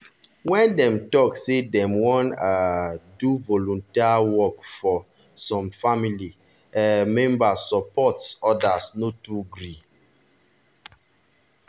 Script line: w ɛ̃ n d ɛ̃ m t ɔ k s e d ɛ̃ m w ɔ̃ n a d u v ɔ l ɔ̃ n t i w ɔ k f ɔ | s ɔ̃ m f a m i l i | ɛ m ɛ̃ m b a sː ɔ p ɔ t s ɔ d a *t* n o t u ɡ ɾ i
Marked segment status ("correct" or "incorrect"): incorrect